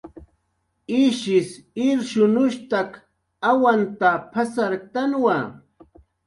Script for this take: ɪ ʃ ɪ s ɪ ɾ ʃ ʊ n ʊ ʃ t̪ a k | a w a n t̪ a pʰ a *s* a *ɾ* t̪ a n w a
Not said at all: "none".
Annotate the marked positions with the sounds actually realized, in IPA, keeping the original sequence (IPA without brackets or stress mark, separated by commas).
s, ɾ